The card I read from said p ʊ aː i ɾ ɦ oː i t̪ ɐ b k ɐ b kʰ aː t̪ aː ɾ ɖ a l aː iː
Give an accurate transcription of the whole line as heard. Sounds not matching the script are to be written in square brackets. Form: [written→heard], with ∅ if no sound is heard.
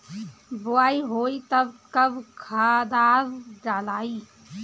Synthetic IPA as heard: [p→b] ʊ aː i [ɾ→∅] ɦ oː i t̪ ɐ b k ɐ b kʰ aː [t̪→d̪] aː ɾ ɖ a l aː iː

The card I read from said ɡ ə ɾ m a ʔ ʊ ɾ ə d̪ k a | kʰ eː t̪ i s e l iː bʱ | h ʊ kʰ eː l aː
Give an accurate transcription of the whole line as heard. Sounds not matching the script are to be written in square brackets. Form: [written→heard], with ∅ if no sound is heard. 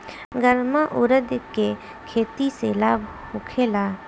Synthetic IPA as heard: ɡ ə ɾ m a ʔ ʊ ɾ ə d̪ k [a→e] | kʰ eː t̪ i s e l [iː→aː] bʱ | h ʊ kʰ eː l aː

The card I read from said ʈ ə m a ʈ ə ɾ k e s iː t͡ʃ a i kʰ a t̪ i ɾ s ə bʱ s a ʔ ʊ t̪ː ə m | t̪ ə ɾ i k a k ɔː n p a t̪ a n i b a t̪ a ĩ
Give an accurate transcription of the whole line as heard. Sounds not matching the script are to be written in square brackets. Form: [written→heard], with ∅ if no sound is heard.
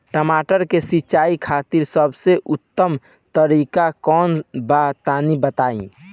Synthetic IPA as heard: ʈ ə m a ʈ ə ɾ k e s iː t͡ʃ a i kʰ a t̪ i ɾ s ə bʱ s [a→e] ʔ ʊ t̪ː ə m | t̪ ə ɾ i k a k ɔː n [p→b] a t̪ a n i b [a→ə] t̪ a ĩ

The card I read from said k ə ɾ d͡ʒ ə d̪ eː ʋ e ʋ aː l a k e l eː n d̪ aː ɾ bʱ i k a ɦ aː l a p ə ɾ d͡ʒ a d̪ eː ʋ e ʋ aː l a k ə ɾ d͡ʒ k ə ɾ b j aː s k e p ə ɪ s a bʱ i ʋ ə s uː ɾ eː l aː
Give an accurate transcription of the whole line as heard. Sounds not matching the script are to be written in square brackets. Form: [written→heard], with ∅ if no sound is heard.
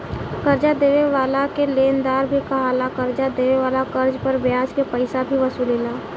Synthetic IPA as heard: k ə ɾ d͡ʒ [ə→a] d̪ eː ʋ e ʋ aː l a k e l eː n d̪ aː ɾ bʱ i k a ɦ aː l a [p→k] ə ɾ d͡ʒ a d̪ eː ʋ e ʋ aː l a k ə ɾ d͡ʒ [k→p] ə ɾ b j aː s k e p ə ɪ s a bʱ i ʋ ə s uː [ɾ→l] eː l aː

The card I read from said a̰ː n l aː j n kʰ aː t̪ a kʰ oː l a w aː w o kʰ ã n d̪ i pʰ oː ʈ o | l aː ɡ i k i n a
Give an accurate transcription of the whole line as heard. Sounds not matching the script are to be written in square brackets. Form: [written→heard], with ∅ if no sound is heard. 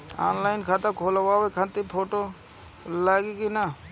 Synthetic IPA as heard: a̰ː n l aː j n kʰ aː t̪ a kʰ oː l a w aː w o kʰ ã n [d̪→t̪] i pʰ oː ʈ o | l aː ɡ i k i n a

